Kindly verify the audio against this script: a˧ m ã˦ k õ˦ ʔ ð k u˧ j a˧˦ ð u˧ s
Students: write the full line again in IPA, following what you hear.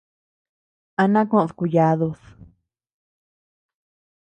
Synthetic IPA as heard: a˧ n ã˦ k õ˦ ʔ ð k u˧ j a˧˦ ð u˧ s